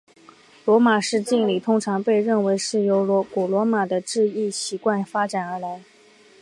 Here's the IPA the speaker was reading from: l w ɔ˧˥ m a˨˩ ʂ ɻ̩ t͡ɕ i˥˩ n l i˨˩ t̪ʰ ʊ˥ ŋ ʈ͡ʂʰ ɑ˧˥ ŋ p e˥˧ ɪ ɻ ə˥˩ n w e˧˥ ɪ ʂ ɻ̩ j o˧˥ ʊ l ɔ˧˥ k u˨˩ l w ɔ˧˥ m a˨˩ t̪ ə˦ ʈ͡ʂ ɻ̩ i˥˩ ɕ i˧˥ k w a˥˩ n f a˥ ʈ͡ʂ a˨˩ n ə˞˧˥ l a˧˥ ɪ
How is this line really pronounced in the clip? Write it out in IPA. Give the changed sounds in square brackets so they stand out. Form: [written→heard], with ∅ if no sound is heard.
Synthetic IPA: l w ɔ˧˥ m a˨˩ ʂ ɻ̩ t͡ɕ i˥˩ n l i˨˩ t̪ʰ ʊ˥ ŋ ʈ͡ʂʰ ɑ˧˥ ŋ p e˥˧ ɪ ɻ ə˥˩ n w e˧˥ ɪ ʂ ɻ̩ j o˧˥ ʊ l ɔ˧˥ k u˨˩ l w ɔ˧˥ m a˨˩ [t̪→d̪] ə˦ ʈ͡ʂ ɻ̩ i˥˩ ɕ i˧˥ k w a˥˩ n f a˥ ʈ͡ʂ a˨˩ n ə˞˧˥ l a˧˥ ɪ